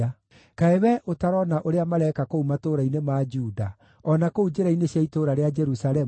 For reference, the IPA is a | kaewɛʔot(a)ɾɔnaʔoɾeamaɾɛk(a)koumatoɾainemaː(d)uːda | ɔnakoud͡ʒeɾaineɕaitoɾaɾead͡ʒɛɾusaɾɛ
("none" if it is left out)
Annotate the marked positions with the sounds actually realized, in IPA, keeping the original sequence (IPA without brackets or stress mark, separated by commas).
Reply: a, a, d͡ʒ